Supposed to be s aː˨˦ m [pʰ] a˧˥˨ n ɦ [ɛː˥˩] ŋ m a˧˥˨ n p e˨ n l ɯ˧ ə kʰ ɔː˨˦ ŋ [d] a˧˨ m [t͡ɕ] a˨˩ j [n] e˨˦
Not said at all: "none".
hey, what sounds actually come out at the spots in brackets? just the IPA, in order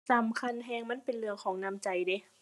kʰ, ɛː˧, n, t͡ɕ, d

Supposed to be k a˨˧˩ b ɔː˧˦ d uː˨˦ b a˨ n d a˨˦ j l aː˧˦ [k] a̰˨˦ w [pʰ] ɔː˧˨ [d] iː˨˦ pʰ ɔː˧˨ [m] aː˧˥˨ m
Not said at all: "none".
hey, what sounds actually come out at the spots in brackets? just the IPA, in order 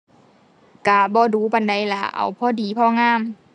ʔ, pʰ, d, ŋ

